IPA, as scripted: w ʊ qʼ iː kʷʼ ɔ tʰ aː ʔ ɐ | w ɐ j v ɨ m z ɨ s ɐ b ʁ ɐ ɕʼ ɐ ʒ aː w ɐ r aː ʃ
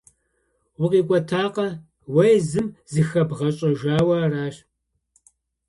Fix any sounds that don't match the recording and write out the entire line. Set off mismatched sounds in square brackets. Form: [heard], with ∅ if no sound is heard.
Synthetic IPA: w ʊ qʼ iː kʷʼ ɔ tʰ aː [q] ɐ | w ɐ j [z] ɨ m z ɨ [x] ɐ b ʁ ɐ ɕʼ ɐ ʒ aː w ɐ r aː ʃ